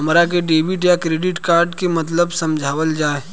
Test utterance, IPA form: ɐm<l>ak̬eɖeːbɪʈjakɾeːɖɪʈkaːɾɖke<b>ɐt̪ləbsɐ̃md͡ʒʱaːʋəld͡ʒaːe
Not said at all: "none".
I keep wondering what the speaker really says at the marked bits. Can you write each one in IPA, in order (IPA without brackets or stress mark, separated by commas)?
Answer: ɾ, m